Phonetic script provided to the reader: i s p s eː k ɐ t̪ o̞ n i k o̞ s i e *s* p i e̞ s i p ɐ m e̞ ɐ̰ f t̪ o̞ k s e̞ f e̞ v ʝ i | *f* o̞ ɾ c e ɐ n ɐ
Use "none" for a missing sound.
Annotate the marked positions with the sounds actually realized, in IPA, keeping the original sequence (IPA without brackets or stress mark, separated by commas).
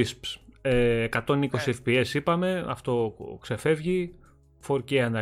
f, f